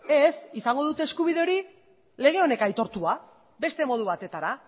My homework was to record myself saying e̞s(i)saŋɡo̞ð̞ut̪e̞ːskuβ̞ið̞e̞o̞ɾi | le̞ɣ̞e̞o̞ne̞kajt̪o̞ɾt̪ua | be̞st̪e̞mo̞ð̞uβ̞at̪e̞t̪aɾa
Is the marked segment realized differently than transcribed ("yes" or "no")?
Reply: no